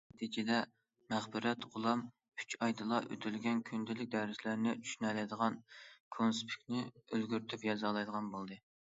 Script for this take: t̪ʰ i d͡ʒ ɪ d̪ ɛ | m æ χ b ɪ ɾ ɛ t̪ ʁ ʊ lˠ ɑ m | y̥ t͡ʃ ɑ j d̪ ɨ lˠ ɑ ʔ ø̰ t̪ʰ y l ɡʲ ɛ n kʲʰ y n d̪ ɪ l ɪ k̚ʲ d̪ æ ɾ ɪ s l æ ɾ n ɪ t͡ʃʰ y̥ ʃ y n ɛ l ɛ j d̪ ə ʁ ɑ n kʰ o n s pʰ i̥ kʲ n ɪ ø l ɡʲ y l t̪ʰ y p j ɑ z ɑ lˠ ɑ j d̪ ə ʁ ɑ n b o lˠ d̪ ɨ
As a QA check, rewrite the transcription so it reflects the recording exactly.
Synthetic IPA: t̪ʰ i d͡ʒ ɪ d̪ ɛ | m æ χ b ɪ ɾ ɛ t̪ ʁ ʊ lˠ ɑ m | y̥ t͡ʃ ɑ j d̪ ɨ lˠ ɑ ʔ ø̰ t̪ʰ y l ɡʲ ɛ n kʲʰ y n d̪ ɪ l ɪ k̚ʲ d̪ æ ɾ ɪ s l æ ɾ n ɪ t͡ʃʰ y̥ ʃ y n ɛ l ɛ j d̪ ə ʁ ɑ n kʰ o n s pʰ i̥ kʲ n ɪ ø l ɡʲ y ɾ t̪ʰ y p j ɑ z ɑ lˠ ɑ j d̪ ə ʁ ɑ n b o lˠ d̪ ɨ